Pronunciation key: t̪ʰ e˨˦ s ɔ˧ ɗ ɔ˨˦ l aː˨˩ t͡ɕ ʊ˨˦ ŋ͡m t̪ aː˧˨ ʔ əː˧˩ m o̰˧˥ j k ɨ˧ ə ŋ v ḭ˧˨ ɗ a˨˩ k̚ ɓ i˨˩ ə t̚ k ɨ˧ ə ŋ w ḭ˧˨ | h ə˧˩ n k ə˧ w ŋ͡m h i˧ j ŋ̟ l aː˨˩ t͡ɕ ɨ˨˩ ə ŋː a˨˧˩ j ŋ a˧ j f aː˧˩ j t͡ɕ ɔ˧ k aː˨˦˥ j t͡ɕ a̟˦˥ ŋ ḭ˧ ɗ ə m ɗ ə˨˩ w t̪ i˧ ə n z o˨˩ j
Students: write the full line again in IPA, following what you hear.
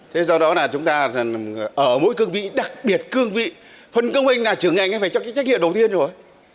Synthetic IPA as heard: t̪ʰ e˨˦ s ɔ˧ ɗ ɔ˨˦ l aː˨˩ t͡ɕ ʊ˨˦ ŋ͡m t̪ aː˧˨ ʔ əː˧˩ m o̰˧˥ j k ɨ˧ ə ŋ v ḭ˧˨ ɗ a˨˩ k̚ ɓ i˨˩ ə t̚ k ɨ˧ ə ŋ v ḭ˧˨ | f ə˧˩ n k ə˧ w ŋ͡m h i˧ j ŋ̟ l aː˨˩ t͡ɕ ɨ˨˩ ə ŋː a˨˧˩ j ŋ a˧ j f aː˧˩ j t͡ɕ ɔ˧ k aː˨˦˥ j t͡ɕ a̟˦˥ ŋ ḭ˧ ə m ɗ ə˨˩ w t̪ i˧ ə n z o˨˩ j